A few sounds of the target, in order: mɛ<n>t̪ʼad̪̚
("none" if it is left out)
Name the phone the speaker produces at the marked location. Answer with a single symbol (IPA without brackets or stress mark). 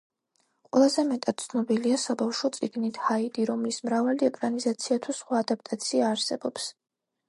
none